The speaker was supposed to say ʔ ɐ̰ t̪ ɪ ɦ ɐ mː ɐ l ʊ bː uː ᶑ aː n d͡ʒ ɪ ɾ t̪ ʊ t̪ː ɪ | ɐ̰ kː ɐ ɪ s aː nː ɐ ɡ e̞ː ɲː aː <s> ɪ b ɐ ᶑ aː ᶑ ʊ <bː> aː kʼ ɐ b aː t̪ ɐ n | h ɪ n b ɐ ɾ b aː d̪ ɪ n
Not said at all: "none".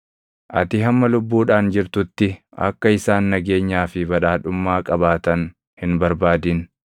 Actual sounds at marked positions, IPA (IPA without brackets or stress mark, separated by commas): f, mː